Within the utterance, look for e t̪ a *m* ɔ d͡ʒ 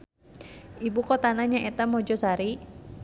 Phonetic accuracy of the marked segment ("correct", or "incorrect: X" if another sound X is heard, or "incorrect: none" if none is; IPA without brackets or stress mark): correct